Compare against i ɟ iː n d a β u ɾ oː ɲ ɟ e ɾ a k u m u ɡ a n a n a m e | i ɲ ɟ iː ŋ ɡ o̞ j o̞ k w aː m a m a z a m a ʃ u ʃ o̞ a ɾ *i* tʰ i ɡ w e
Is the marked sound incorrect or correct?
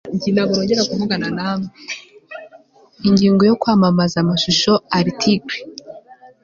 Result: correct